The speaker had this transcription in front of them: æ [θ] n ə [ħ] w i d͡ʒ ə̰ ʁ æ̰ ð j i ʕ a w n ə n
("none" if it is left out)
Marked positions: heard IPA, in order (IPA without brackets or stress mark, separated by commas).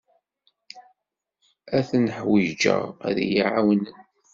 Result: θ, ħ